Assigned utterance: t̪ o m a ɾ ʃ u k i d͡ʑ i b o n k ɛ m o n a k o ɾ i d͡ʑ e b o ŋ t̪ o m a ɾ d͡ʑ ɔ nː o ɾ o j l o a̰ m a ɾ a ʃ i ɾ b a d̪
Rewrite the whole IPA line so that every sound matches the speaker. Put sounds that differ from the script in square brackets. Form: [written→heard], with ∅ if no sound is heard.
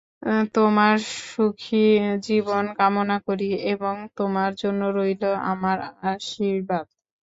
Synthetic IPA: t̪ o m a ɾ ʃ u [k→kʰ] i d͡ʑ i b o n k [ɛ→a] m o n a k o ɾ i [d͡ʑ→∅] e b o ŋ t̪ o m a ɾ d͡ʑ [ɔ→o] nː o ɾ o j l o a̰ m a ɾ a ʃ i ɾ b a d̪